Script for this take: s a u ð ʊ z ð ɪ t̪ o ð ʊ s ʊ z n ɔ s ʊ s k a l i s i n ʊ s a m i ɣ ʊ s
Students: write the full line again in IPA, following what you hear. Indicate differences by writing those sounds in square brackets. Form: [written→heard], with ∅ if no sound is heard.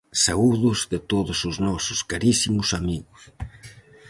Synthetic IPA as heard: s a u ð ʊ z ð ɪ t̪ o ð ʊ s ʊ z n ɔ s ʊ s k a [l→ɾ] i s i [n→m] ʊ s a m i ɣ ʊ s